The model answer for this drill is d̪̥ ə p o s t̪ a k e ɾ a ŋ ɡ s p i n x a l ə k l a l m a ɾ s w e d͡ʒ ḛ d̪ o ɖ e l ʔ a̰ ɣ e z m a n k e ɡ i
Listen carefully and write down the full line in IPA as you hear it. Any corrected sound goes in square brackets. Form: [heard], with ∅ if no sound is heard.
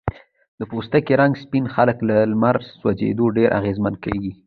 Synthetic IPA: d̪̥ ə p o s t̪ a k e ɾ a ŋ ɡ s p i n x a l ə k l a l m a ɾ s w [a] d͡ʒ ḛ d̪ o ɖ e [ɾ] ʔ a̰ ɣ e z m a n k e ɡ i